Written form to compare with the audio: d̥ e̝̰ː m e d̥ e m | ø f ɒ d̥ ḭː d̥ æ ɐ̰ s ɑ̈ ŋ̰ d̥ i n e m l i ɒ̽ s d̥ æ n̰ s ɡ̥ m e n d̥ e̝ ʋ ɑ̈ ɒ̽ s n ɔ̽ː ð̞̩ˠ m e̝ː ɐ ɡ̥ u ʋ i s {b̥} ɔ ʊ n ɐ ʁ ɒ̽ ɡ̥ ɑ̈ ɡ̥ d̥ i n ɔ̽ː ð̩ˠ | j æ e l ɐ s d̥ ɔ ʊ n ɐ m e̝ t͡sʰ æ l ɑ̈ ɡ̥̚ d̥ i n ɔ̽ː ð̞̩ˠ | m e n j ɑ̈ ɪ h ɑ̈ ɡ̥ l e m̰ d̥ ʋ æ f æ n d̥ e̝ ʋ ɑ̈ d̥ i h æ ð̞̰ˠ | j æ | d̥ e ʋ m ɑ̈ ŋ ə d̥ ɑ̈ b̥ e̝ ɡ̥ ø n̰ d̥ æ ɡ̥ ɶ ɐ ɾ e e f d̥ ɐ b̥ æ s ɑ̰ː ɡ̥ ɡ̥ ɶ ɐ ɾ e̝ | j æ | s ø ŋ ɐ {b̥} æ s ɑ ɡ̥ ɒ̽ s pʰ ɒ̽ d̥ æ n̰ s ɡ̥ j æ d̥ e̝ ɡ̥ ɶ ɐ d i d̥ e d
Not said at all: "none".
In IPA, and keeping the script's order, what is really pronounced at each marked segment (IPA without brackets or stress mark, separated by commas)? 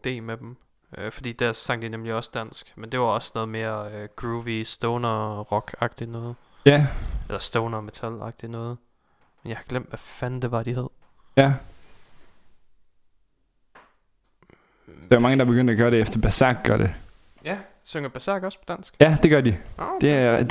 d̥, b̥